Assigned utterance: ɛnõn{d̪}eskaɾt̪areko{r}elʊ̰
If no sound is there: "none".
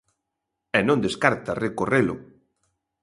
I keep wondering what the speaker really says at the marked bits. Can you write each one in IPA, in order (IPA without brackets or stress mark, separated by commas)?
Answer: d̪, r